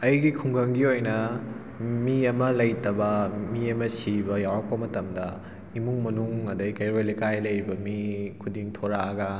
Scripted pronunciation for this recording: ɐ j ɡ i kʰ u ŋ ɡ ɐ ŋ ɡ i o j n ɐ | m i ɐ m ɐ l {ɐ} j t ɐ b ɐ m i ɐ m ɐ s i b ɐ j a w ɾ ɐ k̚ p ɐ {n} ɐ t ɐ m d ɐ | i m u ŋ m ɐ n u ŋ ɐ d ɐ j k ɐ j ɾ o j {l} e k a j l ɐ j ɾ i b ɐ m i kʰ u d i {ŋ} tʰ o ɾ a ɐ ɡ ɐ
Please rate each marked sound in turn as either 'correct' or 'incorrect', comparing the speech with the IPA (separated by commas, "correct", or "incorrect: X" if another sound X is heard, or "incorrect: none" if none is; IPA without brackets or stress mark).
correct, incorrect: m, correct, correct